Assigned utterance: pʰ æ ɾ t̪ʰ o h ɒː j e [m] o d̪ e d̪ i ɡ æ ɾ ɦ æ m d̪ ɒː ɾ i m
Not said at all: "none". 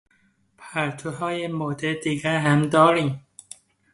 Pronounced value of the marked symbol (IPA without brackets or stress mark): m